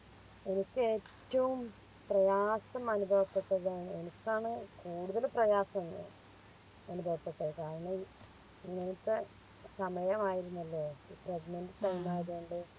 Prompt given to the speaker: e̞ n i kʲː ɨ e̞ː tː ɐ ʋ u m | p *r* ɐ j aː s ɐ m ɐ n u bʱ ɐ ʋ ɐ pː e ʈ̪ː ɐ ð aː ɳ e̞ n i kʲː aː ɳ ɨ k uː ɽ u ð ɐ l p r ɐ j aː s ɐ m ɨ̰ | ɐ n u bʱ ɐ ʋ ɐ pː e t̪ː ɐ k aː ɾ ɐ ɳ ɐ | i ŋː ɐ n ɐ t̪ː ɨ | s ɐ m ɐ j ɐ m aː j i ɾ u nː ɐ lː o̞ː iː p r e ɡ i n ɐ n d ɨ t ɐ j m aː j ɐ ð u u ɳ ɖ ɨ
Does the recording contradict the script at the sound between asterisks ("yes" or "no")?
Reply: no